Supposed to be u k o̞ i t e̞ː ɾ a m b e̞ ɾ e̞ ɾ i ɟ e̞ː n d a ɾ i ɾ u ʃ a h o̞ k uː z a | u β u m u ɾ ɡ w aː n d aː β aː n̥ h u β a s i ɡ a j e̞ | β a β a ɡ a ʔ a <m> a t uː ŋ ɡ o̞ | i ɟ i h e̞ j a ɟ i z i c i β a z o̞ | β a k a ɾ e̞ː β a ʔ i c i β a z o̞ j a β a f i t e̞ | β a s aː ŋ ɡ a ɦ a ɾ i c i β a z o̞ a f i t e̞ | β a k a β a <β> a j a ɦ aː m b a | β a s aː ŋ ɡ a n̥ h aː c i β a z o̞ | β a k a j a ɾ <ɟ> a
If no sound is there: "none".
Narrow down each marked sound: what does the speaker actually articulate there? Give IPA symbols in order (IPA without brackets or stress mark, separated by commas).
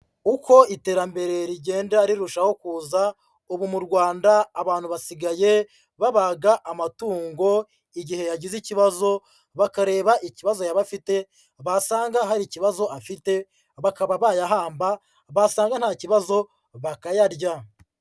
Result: m, β, ɟ